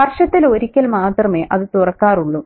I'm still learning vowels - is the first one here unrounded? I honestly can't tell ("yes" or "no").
yes